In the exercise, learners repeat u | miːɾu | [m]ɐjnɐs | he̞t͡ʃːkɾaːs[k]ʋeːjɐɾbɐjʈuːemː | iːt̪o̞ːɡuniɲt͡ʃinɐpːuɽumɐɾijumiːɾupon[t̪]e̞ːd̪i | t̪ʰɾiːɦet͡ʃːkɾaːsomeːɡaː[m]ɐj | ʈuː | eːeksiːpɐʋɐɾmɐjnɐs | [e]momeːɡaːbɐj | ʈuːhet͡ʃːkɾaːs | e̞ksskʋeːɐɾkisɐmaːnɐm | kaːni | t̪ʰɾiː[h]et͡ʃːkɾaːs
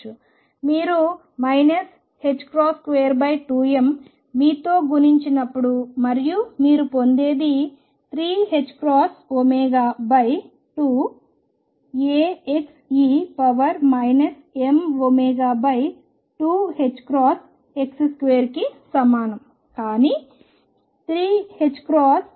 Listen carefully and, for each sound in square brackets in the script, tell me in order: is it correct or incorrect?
correct, correct, incorrect, incorrect, correct, correct

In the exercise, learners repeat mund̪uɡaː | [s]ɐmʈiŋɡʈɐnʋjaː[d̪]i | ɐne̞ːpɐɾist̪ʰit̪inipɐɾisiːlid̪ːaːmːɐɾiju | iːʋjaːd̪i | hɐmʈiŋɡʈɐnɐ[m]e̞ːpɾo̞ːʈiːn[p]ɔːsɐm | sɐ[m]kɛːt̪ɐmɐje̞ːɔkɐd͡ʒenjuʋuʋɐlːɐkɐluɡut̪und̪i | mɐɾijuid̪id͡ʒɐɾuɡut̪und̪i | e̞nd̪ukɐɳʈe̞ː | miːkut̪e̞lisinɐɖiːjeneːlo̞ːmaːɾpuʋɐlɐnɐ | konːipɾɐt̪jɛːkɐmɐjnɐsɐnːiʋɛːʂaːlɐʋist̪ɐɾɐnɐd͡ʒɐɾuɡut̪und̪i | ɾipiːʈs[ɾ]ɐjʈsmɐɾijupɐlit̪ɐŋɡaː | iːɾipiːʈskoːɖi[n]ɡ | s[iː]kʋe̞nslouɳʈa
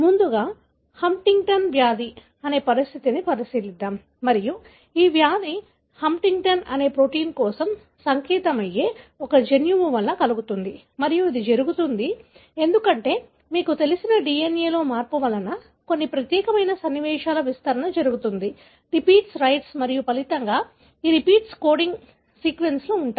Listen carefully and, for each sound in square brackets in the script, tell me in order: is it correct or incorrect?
incorrect, correct, incorrect, incorrect, incorrect, correct, incorrect, correct

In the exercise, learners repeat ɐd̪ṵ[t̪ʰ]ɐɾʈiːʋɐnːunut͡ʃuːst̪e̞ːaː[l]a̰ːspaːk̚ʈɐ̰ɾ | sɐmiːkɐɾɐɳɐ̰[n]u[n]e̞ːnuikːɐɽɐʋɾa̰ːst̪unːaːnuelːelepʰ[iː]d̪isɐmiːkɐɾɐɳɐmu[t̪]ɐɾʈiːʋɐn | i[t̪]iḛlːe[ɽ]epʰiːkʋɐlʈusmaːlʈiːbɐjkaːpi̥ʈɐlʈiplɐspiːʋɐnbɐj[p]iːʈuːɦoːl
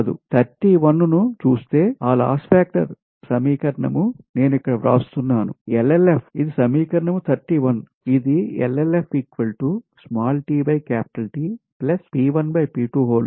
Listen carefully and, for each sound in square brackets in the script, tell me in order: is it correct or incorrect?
correct, correct, incorrect, correct, incorrect, incorrect, incorrect, incorrect, correct

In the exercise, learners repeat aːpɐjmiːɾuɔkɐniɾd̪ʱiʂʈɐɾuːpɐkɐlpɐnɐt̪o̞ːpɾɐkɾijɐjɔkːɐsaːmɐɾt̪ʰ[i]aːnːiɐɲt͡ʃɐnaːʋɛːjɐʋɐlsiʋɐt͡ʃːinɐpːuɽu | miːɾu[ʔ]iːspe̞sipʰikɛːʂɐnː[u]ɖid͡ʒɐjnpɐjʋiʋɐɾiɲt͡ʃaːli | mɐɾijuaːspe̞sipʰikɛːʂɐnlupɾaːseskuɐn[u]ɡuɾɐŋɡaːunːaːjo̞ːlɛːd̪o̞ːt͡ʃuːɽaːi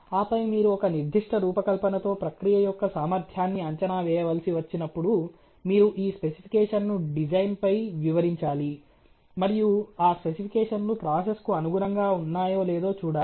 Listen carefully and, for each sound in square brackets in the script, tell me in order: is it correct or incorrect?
incorrect, correct, correct, correct

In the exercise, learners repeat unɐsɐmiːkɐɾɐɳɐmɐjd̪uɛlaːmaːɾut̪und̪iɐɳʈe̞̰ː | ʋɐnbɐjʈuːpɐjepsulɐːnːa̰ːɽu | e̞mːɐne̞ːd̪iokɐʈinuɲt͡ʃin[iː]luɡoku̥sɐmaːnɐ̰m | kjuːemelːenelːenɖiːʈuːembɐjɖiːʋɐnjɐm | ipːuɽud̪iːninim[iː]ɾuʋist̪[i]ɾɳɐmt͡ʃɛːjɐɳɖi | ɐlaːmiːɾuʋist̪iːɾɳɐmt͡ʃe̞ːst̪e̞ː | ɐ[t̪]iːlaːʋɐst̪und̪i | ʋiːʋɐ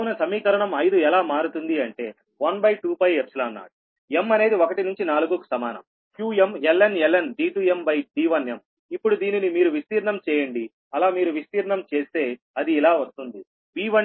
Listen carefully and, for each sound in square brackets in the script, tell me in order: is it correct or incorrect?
incorrect, correct, incorrect, incorrect

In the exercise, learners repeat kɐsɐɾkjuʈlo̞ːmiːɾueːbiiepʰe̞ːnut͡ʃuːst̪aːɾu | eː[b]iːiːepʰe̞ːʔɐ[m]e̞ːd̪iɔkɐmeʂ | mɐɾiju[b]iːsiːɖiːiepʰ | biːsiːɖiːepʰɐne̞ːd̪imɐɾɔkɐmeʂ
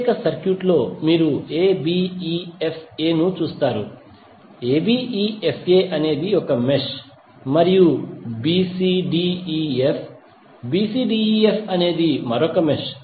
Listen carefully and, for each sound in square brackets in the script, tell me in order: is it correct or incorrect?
correct, incorrect, correct

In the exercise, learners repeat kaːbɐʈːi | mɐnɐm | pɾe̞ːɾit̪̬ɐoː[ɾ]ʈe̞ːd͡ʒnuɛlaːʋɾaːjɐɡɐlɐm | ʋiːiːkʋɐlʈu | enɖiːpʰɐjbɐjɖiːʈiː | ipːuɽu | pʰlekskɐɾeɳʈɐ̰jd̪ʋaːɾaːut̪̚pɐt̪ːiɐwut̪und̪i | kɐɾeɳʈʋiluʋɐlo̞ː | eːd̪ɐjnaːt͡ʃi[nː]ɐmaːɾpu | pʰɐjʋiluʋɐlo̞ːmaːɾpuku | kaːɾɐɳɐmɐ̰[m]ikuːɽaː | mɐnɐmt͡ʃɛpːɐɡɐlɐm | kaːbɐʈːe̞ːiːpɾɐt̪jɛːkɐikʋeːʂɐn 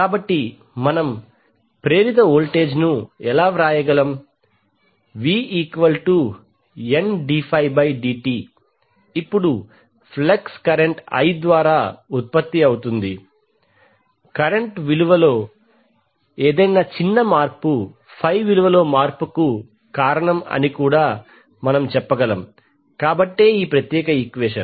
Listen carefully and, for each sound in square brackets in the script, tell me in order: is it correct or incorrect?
incorrect, correct, incorrect

